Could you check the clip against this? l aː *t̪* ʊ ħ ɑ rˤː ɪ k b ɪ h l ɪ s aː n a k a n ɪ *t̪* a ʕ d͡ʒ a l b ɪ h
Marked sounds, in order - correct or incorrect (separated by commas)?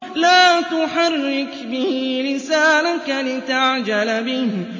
correct, correct